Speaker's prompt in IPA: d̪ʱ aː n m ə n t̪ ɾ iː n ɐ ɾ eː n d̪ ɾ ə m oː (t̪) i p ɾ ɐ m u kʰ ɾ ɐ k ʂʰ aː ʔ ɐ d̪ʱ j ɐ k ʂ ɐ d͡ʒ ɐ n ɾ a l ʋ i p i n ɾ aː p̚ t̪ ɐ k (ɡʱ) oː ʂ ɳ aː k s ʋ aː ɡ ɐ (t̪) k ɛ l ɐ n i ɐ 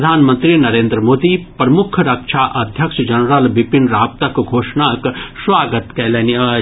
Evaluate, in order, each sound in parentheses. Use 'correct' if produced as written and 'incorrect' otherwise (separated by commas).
incorrect, correct, correct